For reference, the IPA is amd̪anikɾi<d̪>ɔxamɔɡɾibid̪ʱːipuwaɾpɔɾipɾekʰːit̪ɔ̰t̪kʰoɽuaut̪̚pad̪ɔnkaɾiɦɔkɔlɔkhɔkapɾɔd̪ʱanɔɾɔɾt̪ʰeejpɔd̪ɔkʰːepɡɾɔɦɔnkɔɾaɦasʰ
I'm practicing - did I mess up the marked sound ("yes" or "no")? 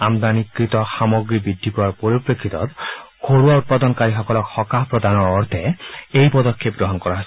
yes